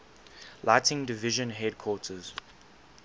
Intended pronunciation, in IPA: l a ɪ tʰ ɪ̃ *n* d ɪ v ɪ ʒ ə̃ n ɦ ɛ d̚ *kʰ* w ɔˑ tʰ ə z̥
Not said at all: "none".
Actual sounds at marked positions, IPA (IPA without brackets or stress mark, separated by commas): ŋ, kʰ